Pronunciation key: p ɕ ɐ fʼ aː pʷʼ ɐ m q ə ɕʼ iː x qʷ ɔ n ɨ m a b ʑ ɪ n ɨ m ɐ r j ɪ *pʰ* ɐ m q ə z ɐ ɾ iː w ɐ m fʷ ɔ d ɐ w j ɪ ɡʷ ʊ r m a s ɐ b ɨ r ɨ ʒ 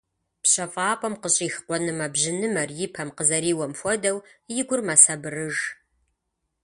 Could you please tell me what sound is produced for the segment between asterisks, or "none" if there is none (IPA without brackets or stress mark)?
pʰ